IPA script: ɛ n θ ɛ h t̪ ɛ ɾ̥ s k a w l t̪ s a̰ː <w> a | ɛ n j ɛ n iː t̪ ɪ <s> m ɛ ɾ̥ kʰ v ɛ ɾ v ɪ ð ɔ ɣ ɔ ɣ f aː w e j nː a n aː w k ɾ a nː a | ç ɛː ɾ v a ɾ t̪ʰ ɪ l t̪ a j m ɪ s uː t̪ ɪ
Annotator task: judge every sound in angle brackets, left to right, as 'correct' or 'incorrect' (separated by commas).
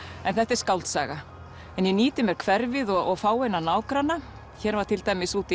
incorrect, incorrect